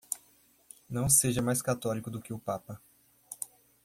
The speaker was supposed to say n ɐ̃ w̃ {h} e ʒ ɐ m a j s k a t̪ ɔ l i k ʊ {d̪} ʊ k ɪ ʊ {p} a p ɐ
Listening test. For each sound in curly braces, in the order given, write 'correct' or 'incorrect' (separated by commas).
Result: incorrect, correct, correct